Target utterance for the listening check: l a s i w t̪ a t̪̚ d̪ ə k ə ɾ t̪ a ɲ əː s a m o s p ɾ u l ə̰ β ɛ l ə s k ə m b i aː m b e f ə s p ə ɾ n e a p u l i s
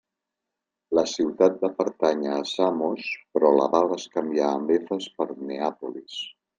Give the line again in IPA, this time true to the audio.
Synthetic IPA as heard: l ə s i w t̪ a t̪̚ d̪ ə p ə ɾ t̪ a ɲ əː s a m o s p ɾ ɔ l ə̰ β a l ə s k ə m b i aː m b e f ə s p ə ɾ n e a p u l i s